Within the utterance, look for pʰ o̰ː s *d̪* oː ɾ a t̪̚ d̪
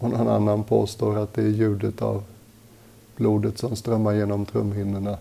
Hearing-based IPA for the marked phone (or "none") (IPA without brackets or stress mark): t̪